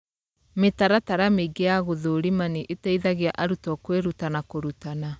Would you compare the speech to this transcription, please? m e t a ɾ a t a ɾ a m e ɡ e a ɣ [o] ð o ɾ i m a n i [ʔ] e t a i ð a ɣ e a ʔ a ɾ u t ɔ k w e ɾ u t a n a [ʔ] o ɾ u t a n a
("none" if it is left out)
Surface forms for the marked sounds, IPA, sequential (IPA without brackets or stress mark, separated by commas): o, ʔ, k